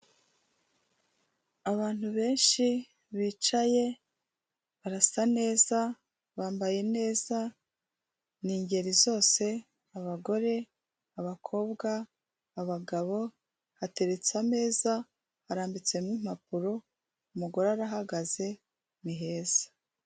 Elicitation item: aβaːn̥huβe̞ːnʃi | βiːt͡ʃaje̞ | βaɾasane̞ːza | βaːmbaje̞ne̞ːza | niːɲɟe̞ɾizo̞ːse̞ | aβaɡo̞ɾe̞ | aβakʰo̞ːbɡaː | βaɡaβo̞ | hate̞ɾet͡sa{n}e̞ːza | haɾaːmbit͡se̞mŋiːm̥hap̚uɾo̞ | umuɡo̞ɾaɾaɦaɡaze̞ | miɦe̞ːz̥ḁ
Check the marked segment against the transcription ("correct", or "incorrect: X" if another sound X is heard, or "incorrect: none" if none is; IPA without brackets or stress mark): incorrect: m